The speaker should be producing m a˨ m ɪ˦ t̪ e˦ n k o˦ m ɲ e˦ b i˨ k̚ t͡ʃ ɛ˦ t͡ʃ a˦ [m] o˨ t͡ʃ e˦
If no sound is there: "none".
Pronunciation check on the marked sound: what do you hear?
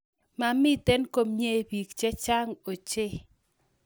ŋ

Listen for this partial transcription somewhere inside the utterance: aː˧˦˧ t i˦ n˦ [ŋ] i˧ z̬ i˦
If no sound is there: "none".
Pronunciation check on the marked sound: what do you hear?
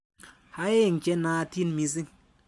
m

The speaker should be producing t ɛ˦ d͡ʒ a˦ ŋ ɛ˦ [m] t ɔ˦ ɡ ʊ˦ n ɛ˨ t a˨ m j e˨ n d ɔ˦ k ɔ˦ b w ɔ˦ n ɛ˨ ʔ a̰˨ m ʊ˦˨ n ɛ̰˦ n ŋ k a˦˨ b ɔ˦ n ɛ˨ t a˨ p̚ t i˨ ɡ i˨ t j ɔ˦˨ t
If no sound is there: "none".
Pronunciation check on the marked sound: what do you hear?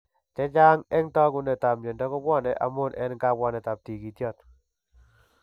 ŋ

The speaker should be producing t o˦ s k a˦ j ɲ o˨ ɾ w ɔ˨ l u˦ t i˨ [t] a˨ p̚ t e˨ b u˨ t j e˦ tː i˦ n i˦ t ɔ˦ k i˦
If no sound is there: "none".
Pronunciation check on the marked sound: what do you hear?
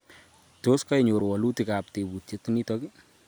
k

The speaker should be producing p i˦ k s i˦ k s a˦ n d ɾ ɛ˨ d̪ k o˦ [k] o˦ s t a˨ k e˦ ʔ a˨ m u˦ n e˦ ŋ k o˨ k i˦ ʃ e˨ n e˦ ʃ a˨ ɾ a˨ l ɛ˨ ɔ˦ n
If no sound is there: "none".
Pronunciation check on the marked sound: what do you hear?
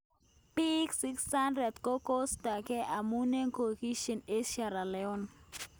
k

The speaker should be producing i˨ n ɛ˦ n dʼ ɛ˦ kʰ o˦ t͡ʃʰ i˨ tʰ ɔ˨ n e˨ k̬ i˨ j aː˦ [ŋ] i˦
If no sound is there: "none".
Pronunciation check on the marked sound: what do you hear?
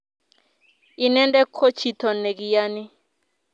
n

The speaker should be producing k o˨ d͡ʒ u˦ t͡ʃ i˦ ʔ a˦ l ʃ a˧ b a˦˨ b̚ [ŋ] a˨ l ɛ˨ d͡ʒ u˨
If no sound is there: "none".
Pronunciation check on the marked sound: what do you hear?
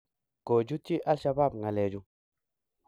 ŋ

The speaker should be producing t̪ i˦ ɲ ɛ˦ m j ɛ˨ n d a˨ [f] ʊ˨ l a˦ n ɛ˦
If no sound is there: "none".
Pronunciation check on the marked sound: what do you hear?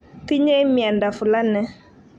f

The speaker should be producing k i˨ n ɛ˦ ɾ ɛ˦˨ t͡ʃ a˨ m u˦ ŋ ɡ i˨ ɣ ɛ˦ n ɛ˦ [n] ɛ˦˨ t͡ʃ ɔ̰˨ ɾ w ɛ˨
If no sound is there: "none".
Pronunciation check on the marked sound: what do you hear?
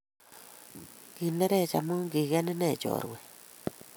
n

